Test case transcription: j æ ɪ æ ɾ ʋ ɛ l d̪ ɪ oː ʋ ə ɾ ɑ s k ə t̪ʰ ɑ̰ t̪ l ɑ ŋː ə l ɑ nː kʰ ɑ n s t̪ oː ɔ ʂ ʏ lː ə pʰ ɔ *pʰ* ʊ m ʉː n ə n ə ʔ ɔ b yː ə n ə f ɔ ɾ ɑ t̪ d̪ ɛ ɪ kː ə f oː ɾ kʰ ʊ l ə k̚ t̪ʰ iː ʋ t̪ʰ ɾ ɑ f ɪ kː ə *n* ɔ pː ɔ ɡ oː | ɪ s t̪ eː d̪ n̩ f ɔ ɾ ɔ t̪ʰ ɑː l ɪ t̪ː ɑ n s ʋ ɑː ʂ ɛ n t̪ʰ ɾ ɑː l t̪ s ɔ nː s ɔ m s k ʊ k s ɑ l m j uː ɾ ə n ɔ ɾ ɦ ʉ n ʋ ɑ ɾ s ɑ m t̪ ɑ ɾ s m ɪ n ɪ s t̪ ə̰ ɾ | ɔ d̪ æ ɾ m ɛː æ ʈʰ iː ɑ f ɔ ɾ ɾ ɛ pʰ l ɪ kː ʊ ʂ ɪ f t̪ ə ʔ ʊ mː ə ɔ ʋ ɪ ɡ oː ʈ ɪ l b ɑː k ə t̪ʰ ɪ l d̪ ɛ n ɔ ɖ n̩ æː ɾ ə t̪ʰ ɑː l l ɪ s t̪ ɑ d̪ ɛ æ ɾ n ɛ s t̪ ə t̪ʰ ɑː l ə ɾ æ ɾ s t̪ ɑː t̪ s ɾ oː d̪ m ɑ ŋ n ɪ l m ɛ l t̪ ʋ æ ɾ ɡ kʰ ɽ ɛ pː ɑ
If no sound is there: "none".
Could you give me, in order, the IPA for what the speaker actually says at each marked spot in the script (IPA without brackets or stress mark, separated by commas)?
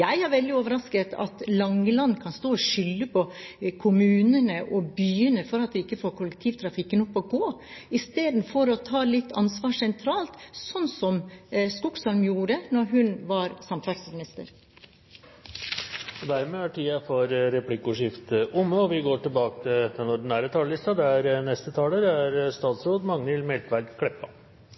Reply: kʰ, n